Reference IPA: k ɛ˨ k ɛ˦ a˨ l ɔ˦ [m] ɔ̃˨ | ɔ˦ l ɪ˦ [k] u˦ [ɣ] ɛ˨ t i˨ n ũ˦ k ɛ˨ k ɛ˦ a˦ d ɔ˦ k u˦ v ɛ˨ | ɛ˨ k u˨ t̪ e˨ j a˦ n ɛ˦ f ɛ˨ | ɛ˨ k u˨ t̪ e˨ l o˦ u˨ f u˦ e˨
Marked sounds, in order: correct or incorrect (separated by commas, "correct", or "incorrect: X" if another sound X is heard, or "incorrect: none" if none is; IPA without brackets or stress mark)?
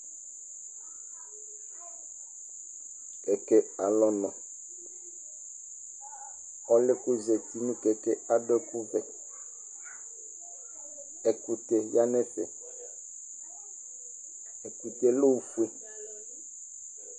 incorrect: n, correct, incorrect: z